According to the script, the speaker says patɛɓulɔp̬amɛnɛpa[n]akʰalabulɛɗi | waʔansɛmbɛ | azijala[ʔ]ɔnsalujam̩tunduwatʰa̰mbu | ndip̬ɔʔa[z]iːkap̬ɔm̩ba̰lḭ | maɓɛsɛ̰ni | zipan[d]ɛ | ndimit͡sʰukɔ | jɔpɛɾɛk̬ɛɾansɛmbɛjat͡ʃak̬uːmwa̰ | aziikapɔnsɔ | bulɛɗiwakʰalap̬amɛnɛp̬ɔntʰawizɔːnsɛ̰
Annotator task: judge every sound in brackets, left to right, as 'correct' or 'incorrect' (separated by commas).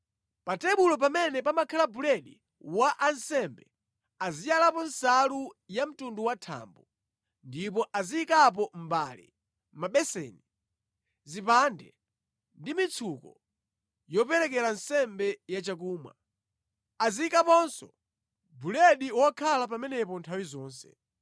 incorrect, incorrect, correct, correct